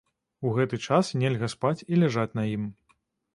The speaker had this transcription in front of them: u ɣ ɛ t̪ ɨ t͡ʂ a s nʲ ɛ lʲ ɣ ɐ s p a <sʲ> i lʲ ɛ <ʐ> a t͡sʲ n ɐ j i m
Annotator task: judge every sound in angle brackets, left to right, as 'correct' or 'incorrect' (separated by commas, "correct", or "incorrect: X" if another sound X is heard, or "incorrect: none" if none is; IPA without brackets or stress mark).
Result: incorrect: t͡sʲ, correct